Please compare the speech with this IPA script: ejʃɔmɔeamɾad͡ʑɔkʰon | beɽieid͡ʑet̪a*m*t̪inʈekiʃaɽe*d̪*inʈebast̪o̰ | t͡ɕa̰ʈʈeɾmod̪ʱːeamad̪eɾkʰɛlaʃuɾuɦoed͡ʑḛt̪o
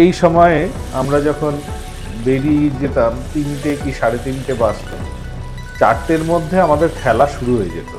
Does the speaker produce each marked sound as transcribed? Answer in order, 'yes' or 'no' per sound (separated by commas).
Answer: yes, no